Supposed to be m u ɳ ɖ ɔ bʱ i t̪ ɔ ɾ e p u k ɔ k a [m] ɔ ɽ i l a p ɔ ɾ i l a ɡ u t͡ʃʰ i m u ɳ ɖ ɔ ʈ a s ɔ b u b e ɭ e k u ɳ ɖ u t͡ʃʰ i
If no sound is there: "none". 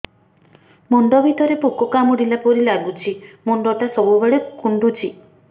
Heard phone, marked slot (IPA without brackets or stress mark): m